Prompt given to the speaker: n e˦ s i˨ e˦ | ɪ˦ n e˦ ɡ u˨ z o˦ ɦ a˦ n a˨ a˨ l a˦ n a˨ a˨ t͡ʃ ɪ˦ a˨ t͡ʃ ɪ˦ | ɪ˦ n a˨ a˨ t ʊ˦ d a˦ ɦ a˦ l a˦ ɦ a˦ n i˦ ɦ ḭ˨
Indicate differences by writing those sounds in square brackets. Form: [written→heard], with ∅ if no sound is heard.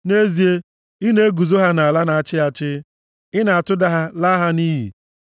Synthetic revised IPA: n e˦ [s→z] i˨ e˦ | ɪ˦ n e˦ ɡ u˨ z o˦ ɦ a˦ n a˨ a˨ l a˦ n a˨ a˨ t͡ʃ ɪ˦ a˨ t͡ʃ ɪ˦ | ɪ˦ n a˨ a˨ t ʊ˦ d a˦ ɦ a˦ l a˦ ɦ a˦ n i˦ ɦ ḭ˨